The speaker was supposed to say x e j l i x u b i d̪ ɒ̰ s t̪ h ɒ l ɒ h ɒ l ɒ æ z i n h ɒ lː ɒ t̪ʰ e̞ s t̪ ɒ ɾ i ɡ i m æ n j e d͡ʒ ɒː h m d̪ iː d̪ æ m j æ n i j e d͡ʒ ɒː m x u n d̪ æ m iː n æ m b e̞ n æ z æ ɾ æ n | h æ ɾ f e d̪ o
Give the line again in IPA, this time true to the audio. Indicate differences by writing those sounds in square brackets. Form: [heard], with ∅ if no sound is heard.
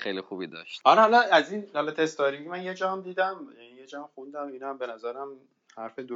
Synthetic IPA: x e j l i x u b i d̪ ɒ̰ [ʃ] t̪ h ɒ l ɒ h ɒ l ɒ æ z i n h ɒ [l] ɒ t̪ʰ e̞ s t̪ ɒ ɾ i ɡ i m æ n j e d͡ʒ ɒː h m d̪ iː d̪ æ m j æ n i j e d͡ʒ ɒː m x u n d̪ æ m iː n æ m b e̞ n æ z æ ɾ æ [m] | h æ ɾ f e d̪ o